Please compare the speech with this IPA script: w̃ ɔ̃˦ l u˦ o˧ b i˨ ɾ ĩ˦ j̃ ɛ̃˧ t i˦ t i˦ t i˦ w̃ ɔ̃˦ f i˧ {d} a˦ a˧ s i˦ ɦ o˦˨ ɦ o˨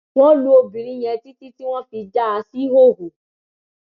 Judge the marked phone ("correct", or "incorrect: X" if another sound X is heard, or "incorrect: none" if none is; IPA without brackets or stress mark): incorrect: d͡ʒ